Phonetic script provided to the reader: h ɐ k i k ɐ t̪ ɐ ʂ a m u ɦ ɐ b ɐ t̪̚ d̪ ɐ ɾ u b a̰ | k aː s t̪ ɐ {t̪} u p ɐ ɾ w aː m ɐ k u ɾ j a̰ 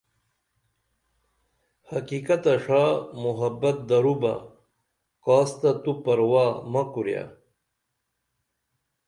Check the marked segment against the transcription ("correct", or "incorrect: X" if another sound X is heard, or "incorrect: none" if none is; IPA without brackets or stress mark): correct